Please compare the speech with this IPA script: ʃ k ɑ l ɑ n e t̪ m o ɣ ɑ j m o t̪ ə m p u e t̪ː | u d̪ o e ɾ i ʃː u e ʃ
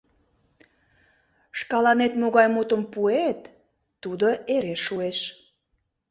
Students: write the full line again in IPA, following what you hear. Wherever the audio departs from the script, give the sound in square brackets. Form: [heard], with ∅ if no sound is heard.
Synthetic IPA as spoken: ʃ k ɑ l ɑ n e t̪ m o ɣ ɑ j m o t̪ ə m p u e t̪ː | u d̪ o e ɾ [e] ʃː u e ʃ